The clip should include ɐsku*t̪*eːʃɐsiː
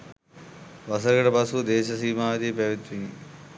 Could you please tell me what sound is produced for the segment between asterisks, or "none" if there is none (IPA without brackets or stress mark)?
d̪